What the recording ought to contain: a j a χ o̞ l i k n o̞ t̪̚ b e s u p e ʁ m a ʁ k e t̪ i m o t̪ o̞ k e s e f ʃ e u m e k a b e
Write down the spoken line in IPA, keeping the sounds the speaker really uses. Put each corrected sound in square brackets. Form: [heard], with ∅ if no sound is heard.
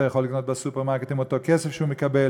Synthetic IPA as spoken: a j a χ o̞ l i k n o̞ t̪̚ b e s u p e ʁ m a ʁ k e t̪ i m o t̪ o̞ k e s e f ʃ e u m e k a b e